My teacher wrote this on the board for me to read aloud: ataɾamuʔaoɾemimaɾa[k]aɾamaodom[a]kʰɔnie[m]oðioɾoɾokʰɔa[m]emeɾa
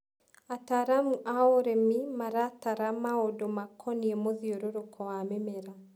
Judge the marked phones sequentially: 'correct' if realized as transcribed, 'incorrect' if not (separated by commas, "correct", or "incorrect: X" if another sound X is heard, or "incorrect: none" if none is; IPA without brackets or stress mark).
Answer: incorrect: t, correct, correct, correct